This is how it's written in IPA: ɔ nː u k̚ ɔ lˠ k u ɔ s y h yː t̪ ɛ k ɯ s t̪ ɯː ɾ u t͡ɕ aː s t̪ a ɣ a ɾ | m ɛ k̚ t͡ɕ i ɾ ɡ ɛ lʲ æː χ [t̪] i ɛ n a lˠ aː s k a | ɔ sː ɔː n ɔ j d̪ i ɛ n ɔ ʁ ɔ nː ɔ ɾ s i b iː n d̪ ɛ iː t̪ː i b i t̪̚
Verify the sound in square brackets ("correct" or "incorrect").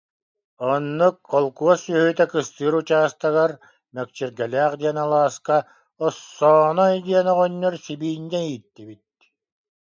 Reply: incorrect